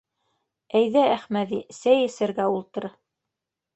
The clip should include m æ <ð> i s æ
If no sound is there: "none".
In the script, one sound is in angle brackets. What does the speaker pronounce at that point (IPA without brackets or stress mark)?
ð